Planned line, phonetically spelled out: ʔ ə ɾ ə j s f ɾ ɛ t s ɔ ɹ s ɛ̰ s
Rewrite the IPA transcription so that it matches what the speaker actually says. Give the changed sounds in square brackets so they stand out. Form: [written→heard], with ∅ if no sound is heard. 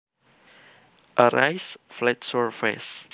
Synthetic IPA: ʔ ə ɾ [ə→a] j s f [ɾ→l] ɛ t s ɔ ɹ [s→f] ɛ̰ s